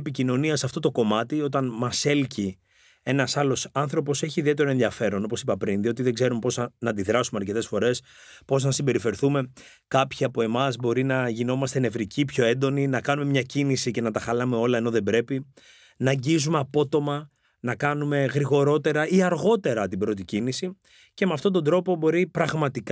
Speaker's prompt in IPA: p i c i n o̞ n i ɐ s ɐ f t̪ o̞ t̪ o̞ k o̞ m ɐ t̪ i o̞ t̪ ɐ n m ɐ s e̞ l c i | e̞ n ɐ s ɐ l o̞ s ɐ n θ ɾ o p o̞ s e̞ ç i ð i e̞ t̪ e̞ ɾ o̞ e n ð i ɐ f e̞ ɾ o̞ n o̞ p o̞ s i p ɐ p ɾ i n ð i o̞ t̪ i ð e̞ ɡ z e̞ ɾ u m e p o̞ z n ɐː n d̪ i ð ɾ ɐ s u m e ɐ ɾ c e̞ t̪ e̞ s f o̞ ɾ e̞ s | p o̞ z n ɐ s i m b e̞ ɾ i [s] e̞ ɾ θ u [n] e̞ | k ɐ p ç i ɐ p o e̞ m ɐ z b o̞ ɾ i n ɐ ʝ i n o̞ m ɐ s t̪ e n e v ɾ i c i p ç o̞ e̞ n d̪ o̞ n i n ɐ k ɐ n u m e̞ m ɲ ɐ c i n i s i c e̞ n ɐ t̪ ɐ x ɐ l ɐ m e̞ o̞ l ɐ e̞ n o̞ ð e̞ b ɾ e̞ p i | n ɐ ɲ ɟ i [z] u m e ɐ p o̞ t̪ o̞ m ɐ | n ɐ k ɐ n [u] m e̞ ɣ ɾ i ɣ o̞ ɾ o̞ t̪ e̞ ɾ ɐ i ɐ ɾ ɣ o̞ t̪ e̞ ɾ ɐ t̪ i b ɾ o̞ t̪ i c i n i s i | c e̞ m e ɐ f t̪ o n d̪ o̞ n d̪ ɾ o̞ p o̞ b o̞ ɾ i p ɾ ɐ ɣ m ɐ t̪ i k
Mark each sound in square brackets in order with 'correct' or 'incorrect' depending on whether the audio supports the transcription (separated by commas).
incorrect, incorrect, correct, correct